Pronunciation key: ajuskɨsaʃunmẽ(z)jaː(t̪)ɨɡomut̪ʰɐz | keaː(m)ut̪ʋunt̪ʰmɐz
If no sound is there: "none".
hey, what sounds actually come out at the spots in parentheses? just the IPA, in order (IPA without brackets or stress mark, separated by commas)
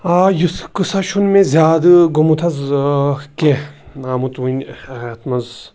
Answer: z, d̪, m